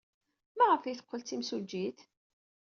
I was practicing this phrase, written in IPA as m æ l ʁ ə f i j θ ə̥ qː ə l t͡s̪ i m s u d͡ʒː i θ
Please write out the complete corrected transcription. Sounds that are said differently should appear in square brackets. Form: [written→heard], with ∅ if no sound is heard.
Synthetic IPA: m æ [l→∅] ʁ ə f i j θ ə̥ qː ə l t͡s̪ i m s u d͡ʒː i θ